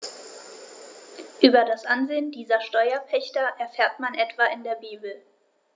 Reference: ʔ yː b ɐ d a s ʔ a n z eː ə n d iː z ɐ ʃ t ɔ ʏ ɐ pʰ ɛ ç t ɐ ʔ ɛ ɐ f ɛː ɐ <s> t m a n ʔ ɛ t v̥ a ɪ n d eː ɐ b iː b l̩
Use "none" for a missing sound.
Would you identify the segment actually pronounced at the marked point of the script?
none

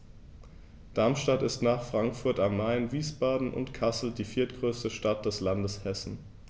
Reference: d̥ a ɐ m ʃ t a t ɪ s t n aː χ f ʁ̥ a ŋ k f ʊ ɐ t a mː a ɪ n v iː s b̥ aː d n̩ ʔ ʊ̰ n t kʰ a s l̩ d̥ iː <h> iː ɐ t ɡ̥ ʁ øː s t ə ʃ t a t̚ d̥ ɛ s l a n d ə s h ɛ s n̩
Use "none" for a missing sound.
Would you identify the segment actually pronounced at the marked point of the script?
f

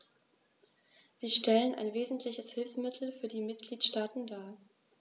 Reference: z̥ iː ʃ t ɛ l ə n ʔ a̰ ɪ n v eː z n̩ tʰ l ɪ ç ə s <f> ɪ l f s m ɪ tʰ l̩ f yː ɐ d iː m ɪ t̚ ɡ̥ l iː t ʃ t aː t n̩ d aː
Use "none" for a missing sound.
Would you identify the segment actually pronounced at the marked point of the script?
h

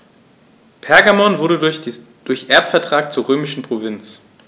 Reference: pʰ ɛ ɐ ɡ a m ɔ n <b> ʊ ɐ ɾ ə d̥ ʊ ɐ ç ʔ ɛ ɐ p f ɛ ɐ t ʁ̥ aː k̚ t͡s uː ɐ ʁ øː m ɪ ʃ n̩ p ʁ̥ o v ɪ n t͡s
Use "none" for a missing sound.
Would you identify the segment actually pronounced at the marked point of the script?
v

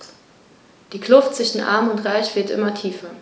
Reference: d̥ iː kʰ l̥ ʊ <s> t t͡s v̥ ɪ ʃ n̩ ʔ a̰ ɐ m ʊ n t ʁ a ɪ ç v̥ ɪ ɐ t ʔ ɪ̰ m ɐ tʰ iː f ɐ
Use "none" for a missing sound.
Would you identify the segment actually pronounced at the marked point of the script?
f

